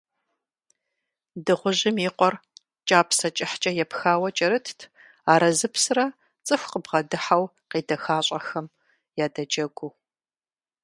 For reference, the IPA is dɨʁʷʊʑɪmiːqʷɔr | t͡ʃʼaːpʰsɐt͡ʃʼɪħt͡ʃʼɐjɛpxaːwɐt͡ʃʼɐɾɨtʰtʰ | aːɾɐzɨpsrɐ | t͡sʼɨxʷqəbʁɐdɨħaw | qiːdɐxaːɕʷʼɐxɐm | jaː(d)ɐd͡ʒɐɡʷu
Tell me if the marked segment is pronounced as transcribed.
yes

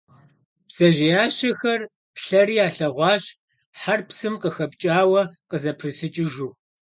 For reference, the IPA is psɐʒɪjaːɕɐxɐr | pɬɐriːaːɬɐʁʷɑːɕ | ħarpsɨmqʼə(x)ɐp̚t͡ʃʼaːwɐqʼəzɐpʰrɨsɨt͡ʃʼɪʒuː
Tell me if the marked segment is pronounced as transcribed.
yes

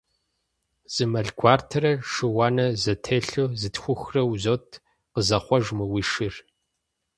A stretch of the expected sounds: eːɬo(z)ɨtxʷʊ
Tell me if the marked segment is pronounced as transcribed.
yes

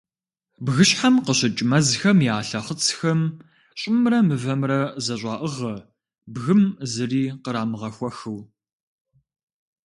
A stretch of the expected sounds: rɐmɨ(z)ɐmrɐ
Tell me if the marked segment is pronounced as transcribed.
no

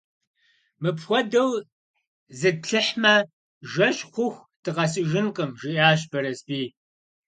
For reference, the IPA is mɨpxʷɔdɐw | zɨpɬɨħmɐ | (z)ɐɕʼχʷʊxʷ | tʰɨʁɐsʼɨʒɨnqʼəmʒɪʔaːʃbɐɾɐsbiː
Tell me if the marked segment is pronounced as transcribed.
no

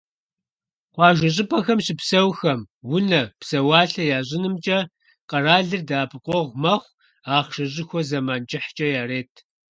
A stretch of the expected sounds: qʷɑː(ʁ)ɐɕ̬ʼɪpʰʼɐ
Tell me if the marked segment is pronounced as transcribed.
no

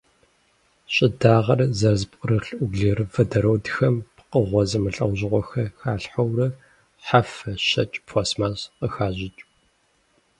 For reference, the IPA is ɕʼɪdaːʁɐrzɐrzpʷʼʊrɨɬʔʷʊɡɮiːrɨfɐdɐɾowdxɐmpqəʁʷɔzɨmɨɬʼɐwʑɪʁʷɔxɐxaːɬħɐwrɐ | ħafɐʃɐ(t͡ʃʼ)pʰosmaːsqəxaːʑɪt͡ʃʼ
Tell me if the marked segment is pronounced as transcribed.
yes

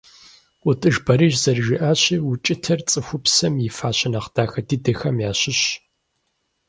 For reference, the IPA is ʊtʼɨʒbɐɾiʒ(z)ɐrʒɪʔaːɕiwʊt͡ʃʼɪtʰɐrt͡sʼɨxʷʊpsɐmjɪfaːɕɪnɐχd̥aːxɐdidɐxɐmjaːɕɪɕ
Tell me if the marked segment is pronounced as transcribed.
yes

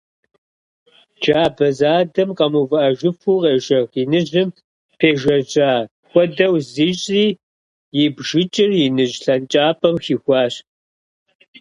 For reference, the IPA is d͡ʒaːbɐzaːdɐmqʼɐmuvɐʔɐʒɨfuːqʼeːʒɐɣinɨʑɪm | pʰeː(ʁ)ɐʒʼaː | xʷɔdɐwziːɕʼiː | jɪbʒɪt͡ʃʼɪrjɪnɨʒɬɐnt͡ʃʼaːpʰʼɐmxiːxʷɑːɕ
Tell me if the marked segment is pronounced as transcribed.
no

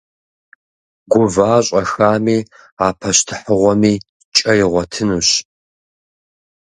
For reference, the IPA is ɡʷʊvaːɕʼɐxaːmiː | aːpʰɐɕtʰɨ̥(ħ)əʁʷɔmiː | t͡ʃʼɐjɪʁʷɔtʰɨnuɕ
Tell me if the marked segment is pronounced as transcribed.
yes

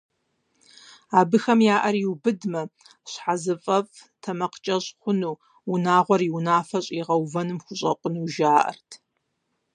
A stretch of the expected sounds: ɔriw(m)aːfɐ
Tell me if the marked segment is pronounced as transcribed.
no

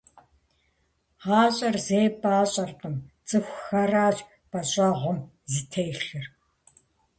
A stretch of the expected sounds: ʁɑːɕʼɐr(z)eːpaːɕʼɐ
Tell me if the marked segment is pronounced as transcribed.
yes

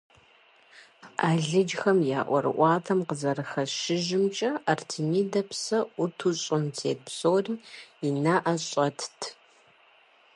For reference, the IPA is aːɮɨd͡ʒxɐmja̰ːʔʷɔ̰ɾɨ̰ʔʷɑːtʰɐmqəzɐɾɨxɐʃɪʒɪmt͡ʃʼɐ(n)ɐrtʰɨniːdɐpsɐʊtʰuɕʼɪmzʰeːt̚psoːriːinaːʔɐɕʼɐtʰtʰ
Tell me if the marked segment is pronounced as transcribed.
no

